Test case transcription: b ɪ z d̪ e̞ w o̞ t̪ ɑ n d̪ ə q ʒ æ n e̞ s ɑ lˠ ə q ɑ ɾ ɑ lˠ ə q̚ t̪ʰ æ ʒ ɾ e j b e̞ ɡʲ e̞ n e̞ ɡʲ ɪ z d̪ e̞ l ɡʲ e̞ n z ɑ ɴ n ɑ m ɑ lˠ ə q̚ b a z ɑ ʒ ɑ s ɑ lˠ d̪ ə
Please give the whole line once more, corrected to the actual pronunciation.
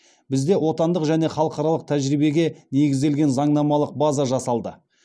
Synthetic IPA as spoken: b ɪ z d̪ e̞ w o̞ t̪ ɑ n d̪ ə q ʒ æ n e̞ χ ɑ lˠ ə q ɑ ɾ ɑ lˠ ə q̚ t̪ʰ æ ʒ ɾ i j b e̞ ɡʲ e̞ n e̞ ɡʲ ɪ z d̪ e̞ l ɡʲ e̞ n z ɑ ɴ n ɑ m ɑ lˠ ə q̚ b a z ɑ ʒ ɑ s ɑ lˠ d̪ ə

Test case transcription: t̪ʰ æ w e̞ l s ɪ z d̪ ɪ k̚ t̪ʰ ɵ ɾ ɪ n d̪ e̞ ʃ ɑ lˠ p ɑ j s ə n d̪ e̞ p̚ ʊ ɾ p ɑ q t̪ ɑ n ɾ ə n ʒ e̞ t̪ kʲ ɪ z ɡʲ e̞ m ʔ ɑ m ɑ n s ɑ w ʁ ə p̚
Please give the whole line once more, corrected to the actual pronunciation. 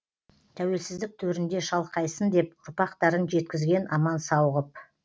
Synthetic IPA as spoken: t̪ʰ æ w e̞ l s ɪ z d̪ ɪ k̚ t̪ʰ ɵ ɾ ɪ n d̪ e̞ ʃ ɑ lˠ q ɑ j s ə n d̪ e̞ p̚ ʊ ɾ p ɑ q t̪ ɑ ɾ ə n ʒ e̞ t̪ kʲ ɪ z ɡʲ e̞ n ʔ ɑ m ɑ n s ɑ w ʁ ə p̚

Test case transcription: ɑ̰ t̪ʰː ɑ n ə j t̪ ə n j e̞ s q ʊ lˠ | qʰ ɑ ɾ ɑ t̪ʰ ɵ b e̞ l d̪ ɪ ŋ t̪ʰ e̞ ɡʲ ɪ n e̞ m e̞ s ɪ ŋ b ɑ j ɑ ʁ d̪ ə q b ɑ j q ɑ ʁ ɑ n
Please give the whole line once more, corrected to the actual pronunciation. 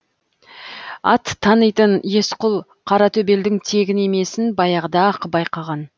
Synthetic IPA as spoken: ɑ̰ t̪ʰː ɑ n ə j t̪ ə n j e̞ s q ʊ lˠ | qʰ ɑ ɾ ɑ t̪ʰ ɵ b e̞ l d̪ ɪ ŋ t̪ʰ e̞ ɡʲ ɪ n e̞ m e̞ s ɪ n b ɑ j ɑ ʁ d̪ ɑ q b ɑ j q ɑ ʁ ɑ n

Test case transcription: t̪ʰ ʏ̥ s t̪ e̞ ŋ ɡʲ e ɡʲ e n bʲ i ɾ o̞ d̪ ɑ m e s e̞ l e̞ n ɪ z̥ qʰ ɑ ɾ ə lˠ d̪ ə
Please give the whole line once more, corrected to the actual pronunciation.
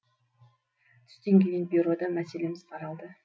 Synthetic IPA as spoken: t̪ʰ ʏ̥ s t̪ e̞ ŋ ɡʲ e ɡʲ e n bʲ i ɾ o̞ d̪ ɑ m æ s e̞ l e̞ m ɪ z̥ qʰ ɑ ɾ ɑ lˠ d̪ ə

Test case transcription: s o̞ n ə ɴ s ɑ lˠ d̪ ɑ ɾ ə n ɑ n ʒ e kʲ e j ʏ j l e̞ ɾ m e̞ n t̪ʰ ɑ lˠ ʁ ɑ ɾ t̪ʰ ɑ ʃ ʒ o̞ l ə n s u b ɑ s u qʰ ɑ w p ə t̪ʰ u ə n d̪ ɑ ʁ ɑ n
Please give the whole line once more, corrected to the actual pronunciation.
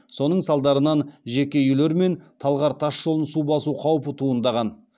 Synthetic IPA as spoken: s o̞ n ə ɴ s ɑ lˠ d̪ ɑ ɾ ə n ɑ n ʒ e kʲ e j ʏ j l e̞ ɾ m e̞ n t̪ʰ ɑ lˠ ʁ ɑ ɾ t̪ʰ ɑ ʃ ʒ o̞ l ə n s u b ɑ s u qʰ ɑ w p ə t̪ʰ u ə n d̪ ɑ ʁ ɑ n

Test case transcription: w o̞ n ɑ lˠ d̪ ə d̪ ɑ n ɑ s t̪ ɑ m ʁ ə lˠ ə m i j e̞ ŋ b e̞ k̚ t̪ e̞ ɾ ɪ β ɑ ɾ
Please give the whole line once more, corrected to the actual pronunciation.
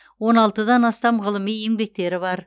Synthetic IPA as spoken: w o̞ n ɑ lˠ t̪ ə d̪ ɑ n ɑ s t̪ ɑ m ʁ ə lˠ ə m i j e̞ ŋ b e̞ k̚ t̪ e̞ ɾ ɪ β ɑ ɾ

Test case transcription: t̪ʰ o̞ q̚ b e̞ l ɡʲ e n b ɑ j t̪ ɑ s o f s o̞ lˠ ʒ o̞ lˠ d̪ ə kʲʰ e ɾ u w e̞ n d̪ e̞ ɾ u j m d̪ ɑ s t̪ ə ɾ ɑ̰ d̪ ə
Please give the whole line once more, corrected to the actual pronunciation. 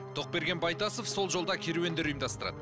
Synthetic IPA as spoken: t̪ʰ o̞ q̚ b e̞ ɾ ɡʲ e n b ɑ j t̪ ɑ s o f s o̞ lˠ ʒ o̞ lˠ d̪ ɑ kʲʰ e ɾ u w e̞ n d̪ e̞ ɾ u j m d̪ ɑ s t̪ ə ɾ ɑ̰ d̪ ə

